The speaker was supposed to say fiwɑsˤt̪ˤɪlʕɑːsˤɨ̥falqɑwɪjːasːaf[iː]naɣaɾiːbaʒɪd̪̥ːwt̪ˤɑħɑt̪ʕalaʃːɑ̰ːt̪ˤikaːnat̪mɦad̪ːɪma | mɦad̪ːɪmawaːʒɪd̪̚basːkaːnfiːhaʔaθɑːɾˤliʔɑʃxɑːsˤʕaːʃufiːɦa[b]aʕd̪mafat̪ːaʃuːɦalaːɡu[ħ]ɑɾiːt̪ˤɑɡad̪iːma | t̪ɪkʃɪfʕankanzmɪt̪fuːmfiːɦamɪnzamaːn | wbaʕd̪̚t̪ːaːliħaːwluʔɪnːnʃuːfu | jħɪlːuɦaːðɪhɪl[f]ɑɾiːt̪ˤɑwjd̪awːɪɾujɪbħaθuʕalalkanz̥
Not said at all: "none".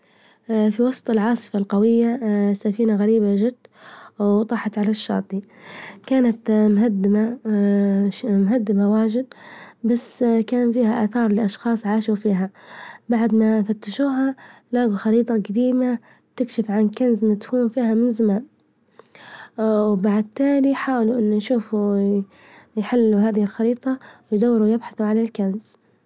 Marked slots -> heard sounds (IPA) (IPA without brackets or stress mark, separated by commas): iː, b, x, x